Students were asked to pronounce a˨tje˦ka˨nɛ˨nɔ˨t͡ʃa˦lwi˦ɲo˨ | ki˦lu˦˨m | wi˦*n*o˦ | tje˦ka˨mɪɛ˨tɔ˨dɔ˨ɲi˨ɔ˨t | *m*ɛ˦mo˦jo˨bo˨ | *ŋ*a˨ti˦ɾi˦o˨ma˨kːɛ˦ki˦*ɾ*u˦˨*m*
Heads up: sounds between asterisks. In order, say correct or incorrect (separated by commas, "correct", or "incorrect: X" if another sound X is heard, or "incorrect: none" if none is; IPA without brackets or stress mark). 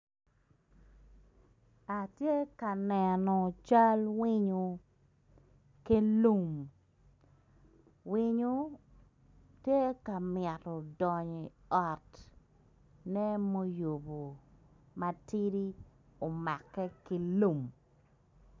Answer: incorrect: ɲ, incorrect: n, incorrect: m, incorrect: l, correct